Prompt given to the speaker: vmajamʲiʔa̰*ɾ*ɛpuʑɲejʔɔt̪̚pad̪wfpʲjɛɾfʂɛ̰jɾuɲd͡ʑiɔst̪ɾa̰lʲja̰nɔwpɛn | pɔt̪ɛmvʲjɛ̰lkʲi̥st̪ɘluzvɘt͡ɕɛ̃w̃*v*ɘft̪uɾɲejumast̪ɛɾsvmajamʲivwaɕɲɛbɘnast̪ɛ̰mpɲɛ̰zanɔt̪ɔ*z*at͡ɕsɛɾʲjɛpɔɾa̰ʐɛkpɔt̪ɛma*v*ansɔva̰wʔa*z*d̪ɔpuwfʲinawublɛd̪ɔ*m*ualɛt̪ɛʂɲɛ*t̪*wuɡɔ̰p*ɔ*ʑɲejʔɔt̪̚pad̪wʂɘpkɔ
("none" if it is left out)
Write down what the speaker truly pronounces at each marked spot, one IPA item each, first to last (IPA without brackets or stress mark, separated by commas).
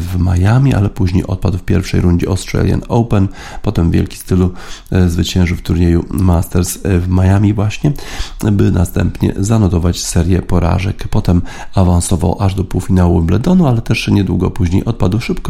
l, ʐ, v, v, ʐ, n, d̪, u